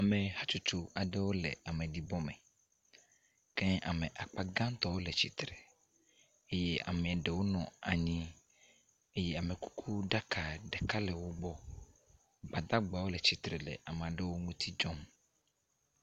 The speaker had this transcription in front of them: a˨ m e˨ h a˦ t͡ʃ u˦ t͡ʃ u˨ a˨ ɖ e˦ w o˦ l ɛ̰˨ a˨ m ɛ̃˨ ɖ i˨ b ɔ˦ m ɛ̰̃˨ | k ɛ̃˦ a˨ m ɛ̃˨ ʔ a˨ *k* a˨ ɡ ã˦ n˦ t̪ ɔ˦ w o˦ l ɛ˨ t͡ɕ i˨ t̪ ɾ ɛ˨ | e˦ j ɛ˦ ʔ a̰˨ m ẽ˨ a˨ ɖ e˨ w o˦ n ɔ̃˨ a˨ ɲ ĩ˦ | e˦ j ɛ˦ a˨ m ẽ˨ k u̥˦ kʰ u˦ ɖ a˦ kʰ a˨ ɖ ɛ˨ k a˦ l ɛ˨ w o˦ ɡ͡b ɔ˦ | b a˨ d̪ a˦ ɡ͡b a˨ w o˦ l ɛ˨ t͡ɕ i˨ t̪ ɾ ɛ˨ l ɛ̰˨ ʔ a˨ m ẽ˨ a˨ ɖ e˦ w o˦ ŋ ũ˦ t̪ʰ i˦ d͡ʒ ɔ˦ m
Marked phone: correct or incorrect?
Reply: incorrect